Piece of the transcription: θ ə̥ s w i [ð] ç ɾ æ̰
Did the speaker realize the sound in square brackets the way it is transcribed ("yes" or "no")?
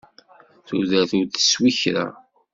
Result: no